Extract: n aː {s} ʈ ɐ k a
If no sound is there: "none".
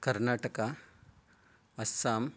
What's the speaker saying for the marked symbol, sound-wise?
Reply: none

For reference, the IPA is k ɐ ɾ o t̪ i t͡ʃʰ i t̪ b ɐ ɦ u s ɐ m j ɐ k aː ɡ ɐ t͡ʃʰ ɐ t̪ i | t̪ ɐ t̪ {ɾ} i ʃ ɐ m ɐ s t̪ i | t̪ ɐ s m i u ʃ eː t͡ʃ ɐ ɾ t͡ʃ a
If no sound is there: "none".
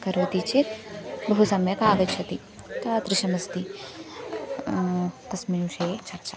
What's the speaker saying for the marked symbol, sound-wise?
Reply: ɾ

